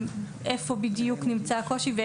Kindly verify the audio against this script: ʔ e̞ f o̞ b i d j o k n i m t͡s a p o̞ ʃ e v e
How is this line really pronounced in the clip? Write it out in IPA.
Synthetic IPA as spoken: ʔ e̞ f o̞ b i d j u k n i m t͡s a k o̞ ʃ i v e